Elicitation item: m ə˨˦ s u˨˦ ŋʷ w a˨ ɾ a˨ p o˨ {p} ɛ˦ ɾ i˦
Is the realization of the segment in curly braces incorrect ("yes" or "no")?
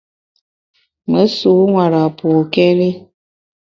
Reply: yes